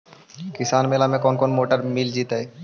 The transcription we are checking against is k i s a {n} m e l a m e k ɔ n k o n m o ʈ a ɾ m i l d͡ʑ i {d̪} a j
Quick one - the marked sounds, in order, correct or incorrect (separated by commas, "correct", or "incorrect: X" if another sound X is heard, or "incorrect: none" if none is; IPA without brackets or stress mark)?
correct, incorrect: t̪